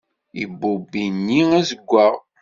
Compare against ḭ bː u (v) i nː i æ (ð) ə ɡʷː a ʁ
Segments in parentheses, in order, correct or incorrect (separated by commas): incorrect, incorrect